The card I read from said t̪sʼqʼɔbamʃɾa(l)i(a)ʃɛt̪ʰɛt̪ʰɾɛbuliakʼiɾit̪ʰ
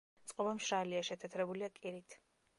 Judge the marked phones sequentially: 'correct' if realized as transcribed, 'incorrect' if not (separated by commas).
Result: correct, correct